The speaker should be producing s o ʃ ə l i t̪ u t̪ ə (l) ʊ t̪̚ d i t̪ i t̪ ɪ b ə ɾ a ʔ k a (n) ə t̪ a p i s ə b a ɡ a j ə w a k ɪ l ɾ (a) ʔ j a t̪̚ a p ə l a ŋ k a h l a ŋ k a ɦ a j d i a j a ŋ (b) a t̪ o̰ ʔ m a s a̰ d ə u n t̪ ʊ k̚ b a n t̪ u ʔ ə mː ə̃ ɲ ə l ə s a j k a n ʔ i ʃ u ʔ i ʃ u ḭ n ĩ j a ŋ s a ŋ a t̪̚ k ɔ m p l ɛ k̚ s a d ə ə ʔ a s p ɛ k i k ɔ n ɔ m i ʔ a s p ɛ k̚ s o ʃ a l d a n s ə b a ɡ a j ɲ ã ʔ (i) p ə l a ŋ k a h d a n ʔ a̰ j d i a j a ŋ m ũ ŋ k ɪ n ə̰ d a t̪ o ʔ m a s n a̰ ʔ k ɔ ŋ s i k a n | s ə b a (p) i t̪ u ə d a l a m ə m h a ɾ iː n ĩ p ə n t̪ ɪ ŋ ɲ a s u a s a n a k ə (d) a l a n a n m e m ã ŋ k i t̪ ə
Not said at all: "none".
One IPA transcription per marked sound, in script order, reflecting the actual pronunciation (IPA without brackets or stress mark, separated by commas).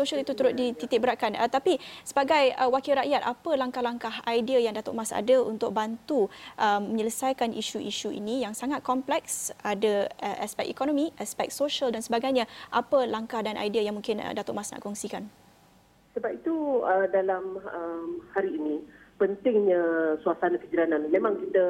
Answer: ɾ, n, a, d, a, p, d͡ʒ